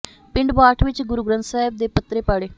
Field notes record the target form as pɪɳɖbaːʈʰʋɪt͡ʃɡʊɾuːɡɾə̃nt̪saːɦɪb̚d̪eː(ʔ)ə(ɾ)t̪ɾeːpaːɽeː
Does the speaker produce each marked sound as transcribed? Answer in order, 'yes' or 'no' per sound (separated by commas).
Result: no, no